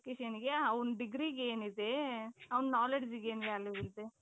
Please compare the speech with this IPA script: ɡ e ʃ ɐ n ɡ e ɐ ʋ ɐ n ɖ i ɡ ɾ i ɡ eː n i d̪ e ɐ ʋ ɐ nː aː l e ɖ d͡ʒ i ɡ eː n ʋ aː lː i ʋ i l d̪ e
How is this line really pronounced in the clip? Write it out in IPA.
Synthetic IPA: k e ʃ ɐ n ɡ e ɐ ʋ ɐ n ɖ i ɡ ɾ i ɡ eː n i d̪ e ɐ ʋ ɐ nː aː l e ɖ d͡ʒ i ɡ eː n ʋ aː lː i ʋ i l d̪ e